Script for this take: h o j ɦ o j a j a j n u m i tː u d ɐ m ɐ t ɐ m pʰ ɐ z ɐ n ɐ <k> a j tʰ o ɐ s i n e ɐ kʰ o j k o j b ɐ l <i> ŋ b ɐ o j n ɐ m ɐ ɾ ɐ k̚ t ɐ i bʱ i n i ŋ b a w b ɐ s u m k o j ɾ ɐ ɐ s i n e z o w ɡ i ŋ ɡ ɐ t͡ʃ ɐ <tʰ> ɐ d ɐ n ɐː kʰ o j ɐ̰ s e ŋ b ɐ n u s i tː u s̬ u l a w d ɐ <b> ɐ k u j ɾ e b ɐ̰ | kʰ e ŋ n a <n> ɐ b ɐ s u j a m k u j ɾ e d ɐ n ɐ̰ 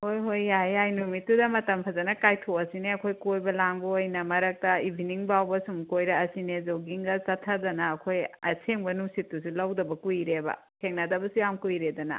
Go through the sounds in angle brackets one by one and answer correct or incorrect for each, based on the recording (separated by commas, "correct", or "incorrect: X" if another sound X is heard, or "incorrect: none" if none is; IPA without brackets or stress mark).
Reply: correct, incorrect: a, correct, correct, incorrect: d